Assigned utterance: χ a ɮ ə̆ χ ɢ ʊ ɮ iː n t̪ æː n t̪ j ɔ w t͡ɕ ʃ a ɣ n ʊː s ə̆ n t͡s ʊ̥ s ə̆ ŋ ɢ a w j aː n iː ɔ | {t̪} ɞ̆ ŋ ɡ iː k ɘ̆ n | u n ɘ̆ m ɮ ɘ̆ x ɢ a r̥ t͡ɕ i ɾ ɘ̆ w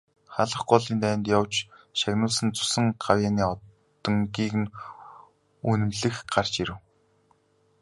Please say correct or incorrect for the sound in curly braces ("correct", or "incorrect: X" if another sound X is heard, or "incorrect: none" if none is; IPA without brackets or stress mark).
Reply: correct